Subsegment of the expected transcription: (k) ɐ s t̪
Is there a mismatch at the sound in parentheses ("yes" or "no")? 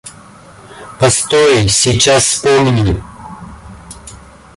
yes